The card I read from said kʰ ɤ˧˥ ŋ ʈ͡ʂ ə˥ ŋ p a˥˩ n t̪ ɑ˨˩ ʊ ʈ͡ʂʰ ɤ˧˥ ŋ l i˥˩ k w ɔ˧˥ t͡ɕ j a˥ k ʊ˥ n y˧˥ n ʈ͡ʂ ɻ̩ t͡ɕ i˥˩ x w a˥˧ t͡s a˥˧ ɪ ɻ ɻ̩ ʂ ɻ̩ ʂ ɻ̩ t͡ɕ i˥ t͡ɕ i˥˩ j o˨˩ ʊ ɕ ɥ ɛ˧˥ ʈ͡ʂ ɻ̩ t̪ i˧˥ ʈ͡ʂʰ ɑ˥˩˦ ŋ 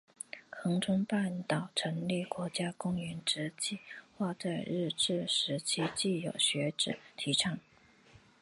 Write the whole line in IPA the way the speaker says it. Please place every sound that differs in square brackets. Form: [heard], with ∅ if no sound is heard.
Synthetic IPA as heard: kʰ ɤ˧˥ ŋ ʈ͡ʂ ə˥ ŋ p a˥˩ n t̪ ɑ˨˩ ʊ ʈ͡ʂʰ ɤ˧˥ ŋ l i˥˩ k w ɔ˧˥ t͡ɕ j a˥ k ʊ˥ [ŋ] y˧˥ n ʈ͡ʂ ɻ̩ t͡ɕ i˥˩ x w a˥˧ t͡s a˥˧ ɪ ɻ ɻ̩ [ʈ͡ʂ] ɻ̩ ʂ ɻ̩ [t͡ɕʰ] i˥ t͡ɕ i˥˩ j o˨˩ ʊ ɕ ɥ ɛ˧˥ ʈ͡ʂ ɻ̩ [t̪ʰ] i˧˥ ʈ͡ʂʰ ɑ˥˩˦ ŋ